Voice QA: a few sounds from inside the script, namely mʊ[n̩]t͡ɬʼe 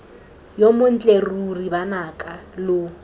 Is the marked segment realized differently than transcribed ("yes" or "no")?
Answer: no